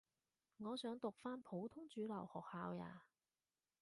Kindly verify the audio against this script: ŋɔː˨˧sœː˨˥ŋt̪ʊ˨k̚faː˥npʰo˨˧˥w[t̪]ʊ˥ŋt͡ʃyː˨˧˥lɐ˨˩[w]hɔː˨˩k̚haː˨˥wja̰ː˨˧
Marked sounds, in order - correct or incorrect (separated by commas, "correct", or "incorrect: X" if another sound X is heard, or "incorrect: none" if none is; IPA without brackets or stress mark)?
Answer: incorrect: t̪ʰ, correct